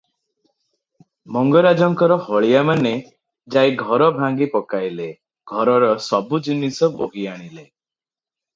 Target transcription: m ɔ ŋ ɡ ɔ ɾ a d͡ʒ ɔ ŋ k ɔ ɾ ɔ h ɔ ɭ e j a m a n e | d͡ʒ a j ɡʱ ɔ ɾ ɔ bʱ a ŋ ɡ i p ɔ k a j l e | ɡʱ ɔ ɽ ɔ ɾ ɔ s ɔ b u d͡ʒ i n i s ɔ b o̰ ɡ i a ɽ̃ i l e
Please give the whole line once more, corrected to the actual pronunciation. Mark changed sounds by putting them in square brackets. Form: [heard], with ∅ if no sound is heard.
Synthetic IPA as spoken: m ɔ ŋ ɡ ɔ ɾ a d͡ʒ ɔ ŋ k ɔ ɾ ɔ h ɔ ɭ [i] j a m a n e | d͡ʒ a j ɡʱ ɔ ɾ ɔ bʱ a ŋ ɡ i p ɔ k a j l e | ɡʱ ɔ [ɾ] ɔ ɾ ɔ s ɔ b u d͡ʒ i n i s ɔ b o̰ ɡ i a ɽ̃ i l e